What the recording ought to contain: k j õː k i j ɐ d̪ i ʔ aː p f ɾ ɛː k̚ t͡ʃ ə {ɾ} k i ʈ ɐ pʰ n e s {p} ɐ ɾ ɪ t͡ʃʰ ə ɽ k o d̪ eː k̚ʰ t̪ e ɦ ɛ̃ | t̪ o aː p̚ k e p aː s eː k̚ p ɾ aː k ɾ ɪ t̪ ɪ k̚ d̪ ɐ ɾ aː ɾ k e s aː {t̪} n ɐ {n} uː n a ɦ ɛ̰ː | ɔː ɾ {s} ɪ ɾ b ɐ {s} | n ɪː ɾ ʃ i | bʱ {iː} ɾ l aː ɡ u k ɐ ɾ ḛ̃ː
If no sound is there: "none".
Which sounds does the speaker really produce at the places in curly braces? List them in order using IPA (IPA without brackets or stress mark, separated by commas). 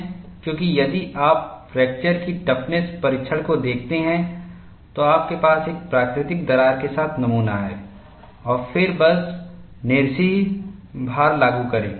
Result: ɾ, p, t̪ʰ, m, f, s, aː